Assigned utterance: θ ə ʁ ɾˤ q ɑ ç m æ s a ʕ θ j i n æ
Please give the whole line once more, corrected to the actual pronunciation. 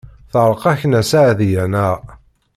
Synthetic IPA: θ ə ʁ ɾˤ q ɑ ç n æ s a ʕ ð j æ n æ

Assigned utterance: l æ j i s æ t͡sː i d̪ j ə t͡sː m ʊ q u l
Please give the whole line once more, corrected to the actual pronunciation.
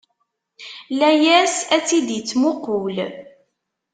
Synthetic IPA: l æ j æ s æ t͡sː i d̪ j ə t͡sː m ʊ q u l

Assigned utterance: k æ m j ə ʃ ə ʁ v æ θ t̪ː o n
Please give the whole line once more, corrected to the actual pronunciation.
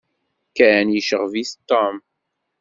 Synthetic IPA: k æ n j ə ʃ ə ʁ v i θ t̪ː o m

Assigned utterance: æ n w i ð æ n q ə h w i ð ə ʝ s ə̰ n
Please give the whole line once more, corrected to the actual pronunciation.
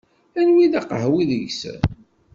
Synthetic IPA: æ n w i ð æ q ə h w i ð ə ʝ s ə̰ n

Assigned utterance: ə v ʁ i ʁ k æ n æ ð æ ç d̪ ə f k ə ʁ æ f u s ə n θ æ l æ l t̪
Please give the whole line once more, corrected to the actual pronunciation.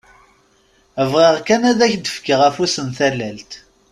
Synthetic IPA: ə v ʁ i ʁ k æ n æ ð æ ç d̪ ə f k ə ʁ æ f u s ə n θ æ l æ l t̪

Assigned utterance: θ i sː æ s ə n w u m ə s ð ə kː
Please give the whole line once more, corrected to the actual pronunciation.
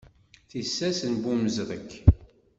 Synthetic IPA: θ i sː æ s ə n b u m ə z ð ə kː

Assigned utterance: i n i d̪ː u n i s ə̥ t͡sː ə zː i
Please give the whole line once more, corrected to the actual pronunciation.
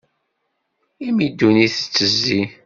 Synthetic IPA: i m i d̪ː u n i θ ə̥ t͡sː ə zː i

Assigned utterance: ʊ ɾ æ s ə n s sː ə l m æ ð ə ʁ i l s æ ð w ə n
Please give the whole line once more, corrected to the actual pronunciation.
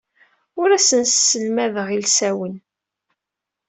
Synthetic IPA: ʊ ɾ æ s ə n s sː ə l m æ ð ə ʁ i l s æ w ə n

